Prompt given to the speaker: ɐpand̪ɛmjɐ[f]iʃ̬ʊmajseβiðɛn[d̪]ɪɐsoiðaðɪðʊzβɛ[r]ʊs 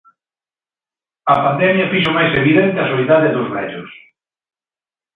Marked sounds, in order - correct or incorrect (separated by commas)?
correct, incorrect, incorrect